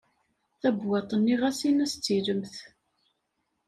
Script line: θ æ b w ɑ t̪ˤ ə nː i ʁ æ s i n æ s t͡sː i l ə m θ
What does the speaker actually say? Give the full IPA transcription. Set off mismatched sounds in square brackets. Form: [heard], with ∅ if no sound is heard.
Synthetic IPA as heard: θ æ b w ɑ t̪ˤ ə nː i ʁ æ s i n æ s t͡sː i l ə m θ

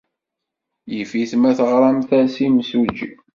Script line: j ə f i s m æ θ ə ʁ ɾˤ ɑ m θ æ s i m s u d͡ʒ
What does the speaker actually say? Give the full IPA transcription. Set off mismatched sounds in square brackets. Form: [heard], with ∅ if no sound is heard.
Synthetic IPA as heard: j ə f i [θ] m æ θ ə ʁ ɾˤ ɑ m θ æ s i m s u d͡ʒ

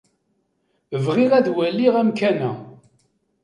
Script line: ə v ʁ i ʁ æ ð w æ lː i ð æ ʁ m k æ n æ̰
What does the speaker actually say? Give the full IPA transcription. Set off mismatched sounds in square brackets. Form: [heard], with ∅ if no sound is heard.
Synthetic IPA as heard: ə v ʁ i ʁ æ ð w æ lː i [ʁ] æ [∅] m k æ n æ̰

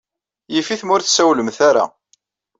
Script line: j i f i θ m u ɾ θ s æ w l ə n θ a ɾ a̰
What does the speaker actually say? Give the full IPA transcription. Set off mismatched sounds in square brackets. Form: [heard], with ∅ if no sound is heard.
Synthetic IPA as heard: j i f i θ m [ʊ] ɾ θ s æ w l ə [m] θ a ɾ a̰

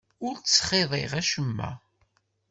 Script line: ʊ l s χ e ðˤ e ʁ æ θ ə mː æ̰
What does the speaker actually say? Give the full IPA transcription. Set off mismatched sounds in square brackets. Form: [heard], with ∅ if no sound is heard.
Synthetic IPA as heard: ʊ [ɾ] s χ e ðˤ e ʁ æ [ʃ] ə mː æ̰

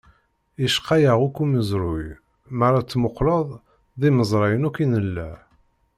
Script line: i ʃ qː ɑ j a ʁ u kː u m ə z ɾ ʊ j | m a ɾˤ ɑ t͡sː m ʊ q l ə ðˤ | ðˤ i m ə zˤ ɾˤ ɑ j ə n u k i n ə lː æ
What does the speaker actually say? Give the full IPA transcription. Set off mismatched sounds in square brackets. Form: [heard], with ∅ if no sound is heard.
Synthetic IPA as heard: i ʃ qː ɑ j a ʁ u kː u m ə z ɾ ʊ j | m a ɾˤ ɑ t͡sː m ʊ q l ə ðˤ | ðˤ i m ə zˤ ɾˤ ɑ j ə n u k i n ə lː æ

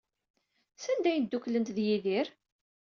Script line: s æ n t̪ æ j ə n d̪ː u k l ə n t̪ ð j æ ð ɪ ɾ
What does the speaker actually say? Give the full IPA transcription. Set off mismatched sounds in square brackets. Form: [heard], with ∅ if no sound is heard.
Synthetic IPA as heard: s æ n [d̪] æ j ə n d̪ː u k l ə n t̪ ð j [i] ð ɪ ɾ

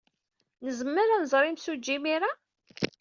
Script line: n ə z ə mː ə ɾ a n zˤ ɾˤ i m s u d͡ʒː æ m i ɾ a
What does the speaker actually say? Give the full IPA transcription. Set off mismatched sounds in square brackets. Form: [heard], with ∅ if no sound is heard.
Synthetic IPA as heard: n ə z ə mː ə ɾ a n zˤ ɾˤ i m s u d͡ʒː [i] m i ɾ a

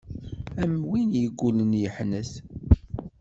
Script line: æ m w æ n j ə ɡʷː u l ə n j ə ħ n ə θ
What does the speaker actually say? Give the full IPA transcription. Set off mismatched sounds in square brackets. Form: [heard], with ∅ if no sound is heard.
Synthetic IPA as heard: æ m w [i] n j ə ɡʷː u l ə n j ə ħ n ə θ

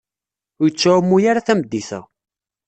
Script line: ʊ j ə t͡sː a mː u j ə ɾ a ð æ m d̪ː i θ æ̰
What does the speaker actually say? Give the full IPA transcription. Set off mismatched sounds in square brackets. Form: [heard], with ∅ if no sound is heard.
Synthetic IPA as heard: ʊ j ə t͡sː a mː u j [a] ɾ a [θ] æ m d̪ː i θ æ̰

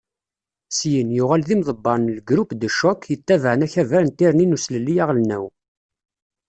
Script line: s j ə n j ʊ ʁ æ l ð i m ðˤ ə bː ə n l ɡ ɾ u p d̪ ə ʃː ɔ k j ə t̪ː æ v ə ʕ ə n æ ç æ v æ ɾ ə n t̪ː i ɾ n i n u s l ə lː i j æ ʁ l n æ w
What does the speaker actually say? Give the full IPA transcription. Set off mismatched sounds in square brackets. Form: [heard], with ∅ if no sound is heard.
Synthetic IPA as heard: s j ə n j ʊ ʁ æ l ð i m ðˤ ə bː [ɑ] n l ɡ ɾ u p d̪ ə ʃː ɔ k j ə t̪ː æ v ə ʕ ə n æ ç æ v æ ɾ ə n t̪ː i ɾ n i n u s l ə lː i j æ ʁ l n æ w

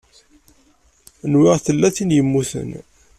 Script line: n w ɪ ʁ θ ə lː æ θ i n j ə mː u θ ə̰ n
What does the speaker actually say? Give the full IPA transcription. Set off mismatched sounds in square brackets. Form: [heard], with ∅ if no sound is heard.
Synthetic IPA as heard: n w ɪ ʁ θ ə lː æ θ i n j ə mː u θ ə̰ n

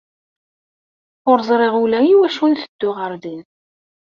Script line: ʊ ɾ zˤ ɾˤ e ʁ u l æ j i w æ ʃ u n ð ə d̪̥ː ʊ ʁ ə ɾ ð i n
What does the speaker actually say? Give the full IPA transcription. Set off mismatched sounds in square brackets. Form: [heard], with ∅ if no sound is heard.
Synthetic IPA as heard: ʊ ɾ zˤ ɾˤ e ʁ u l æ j i w æ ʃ u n [θ] ə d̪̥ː ʊ ʁ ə ɾ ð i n

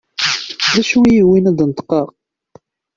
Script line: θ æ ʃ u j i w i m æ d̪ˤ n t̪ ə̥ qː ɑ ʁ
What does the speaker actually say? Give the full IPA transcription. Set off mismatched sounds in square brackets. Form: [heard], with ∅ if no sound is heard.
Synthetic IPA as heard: [ð] æ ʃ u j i w i [n] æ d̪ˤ n t̪ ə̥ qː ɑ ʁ

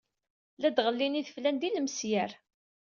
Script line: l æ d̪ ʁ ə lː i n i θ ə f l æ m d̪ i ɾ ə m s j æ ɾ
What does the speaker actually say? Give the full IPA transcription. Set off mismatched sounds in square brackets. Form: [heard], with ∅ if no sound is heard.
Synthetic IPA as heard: l æ d̪ ʁ ə lː i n i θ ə f l æ [n] d̪ i [l] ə m s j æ ɾ

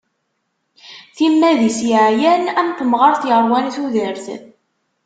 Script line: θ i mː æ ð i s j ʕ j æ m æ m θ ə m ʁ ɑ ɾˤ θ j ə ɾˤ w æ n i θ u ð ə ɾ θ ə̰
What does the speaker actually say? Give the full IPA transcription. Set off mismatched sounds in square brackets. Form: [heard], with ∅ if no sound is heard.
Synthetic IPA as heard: θ i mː æ ð i s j ʕ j æ [n] æ m θ ə m ʁ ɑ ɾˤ θ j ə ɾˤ w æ n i θ u ð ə ɾ θ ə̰

